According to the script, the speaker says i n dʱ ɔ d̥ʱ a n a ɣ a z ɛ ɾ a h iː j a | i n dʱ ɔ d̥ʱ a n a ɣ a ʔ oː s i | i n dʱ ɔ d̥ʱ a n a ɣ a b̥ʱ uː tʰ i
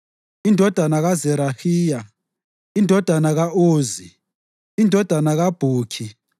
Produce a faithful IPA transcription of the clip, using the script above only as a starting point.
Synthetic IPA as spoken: i n dʱ ɔ d̥ʱ a n a ɣ a z ɛ ɾ a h iː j a | i n dʱ ɔ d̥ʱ a n a ɣ a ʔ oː z i | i n dʱ ɔ d̥ʱ a n a ɣ a b̥ʱ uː kʰ i